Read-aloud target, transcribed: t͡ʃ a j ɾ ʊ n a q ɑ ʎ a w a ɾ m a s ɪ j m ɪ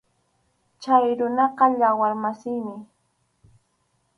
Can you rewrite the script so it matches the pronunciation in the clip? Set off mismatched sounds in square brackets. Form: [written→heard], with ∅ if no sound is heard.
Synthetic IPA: t͡ʃ a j ɾ ʊ n [a→ɑ] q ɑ ʎ a w a ɾ m a s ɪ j m ɪ